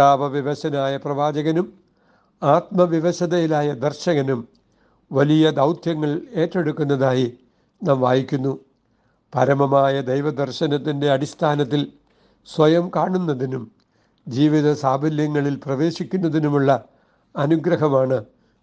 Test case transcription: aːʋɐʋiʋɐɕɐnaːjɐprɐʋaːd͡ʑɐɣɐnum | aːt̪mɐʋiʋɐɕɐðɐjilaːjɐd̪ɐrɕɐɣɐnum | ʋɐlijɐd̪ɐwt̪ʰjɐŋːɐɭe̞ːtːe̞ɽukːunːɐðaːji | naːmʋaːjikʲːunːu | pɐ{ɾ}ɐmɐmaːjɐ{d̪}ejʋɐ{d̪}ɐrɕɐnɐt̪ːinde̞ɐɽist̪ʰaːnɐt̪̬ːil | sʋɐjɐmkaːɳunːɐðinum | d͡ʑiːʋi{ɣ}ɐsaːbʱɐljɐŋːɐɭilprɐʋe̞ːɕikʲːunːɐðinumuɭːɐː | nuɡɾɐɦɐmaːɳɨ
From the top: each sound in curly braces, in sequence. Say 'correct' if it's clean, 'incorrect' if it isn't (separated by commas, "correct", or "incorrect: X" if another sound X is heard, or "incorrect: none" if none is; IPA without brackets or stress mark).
correct, correct, correct, incorrect: ð